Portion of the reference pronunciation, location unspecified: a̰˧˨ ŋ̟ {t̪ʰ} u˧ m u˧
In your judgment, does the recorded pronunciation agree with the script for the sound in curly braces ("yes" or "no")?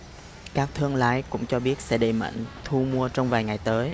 yes